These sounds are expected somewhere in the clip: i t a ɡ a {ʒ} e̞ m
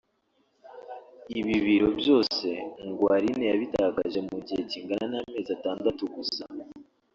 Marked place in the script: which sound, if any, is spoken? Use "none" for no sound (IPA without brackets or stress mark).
ʒ